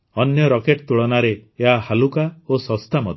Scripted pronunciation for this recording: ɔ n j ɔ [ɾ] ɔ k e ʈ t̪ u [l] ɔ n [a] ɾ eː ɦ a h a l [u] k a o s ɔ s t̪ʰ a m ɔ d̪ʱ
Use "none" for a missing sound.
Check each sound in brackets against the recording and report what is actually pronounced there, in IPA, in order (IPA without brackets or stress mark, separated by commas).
ɾ, ɭ, a, u